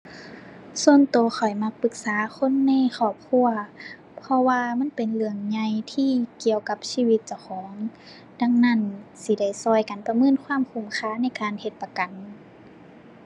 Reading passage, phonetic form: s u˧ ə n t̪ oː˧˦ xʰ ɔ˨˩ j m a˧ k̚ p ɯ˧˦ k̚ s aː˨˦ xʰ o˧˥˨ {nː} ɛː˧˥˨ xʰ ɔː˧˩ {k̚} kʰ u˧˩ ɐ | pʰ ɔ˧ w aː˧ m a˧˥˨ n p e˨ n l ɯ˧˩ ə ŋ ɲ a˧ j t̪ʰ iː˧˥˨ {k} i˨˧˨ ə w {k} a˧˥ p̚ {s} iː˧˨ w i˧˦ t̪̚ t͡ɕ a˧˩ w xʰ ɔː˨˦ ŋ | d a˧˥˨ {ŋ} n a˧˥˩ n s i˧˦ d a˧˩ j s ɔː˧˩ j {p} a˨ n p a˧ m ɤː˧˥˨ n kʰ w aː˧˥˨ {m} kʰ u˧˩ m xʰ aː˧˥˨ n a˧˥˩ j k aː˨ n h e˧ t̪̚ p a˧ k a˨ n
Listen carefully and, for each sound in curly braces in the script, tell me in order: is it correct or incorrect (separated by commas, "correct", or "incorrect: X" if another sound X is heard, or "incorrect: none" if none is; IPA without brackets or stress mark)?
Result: correct, incorrect: p̚, correct, correct, correct, correct, incorrect: k, correct